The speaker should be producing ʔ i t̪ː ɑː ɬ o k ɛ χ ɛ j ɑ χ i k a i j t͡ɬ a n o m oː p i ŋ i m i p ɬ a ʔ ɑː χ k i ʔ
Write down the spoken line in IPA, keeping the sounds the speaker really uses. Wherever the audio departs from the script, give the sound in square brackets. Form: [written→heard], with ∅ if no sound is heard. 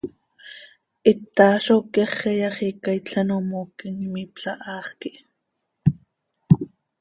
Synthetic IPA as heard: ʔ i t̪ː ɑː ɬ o k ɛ χ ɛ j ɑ χ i k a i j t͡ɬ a n o m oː [p→k] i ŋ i m i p ɬ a ʔ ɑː χ k i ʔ